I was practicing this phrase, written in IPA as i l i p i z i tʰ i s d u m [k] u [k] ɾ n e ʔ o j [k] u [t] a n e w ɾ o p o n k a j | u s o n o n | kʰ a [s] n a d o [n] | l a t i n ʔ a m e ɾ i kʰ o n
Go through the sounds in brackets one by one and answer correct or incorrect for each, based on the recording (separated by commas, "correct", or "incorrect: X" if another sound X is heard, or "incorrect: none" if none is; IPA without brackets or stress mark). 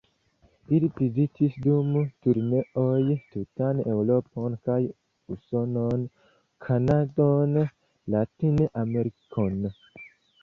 incorrect: t, incorrect: none, incorrect: t, correct, incorrect: none, correct